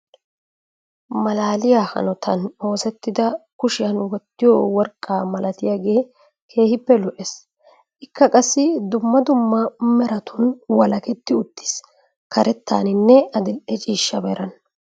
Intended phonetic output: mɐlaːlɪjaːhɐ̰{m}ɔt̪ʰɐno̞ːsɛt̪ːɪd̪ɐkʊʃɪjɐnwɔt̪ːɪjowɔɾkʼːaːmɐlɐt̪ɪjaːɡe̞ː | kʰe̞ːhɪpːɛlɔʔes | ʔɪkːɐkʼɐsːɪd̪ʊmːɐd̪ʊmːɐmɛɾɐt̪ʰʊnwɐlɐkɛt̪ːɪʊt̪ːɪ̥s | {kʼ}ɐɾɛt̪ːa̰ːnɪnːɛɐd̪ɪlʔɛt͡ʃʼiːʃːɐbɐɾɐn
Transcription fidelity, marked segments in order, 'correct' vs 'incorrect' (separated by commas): incorrect, incorrect